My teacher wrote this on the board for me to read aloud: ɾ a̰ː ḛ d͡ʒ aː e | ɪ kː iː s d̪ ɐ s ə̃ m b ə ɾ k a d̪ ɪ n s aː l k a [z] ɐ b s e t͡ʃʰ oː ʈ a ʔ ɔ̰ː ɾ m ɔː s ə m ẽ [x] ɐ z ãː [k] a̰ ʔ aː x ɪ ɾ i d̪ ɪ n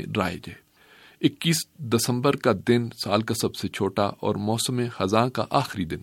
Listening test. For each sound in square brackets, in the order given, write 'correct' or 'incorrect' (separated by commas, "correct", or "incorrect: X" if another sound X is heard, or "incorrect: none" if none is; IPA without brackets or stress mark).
incorrect: s, correct, correct